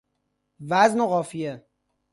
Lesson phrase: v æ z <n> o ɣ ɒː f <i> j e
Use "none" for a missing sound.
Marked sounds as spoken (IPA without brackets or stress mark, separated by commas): n, i